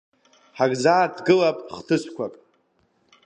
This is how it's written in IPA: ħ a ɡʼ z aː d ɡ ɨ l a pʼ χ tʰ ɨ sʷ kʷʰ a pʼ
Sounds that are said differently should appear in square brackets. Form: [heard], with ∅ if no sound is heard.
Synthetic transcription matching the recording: ħ a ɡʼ z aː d ɡ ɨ l a pʼ χ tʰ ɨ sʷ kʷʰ a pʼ